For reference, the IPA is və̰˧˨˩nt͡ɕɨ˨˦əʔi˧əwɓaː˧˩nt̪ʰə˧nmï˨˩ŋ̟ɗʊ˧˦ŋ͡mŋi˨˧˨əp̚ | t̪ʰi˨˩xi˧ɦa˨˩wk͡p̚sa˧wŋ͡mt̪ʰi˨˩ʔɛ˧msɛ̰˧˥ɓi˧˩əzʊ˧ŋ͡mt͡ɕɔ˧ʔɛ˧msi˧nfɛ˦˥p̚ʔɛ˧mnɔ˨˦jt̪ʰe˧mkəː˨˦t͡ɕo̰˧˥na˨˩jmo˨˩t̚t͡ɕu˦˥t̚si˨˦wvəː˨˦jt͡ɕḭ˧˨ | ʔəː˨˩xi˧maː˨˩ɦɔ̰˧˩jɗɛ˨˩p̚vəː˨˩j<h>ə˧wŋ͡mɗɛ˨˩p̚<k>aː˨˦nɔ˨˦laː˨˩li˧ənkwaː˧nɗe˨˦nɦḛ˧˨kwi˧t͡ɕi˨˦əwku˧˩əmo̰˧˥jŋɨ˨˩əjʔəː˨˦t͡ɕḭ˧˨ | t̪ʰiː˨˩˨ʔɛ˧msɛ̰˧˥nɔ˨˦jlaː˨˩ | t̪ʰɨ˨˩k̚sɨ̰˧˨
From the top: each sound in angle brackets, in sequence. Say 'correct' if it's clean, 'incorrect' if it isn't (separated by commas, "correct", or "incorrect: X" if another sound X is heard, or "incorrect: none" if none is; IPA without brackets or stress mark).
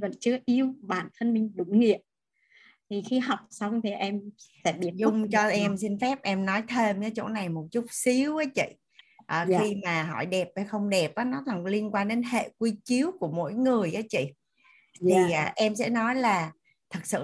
incorrect: x, incorrect: ʔ